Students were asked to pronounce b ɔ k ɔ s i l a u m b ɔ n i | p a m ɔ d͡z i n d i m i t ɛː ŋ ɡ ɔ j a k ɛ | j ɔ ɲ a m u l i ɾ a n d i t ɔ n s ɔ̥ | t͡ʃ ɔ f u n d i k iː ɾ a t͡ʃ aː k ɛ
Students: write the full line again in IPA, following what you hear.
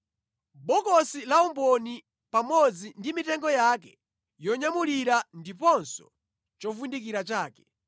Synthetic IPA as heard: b ɔ k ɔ s i l a u m b ɔ n i | p a m ɔ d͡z i n d i m i t ɛ ŋ ɡ ɔ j a k ɛ | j ɔ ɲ a m u l i ɾ a n d i p ɔ n s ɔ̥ | t͡ʃ ɔ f u n d i k i ɾ a t͡ʃ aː k ɛ